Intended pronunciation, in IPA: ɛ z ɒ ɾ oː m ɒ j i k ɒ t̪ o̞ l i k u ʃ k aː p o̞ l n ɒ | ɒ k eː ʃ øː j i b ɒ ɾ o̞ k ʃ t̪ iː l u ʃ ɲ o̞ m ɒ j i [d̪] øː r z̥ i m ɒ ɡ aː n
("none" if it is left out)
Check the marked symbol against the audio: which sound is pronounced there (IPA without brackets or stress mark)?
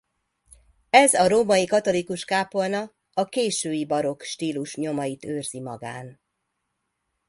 t̪